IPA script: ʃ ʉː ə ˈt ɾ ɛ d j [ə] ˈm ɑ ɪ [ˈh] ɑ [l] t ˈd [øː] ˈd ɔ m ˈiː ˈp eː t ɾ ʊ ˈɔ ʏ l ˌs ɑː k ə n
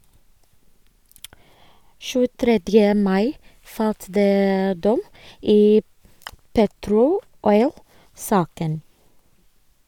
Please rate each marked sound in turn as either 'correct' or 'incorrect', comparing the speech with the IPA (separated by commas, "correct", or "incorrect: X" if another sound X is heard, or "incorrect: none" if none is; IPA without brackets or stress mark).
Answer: correct, incorrect: f, correct, incorrect: eː